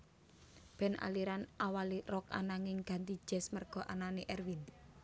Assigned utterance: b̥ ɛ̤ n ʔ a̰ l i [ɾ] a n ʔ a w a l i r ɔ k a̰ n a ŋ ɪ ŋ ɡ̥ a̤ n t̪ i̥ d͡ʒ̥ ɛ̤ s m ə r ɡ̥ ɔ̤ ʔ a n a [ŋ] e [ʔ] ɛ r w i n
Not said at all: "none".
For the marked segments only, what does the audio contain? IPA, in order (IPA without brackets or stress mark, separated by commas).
ɾ, n, ʔ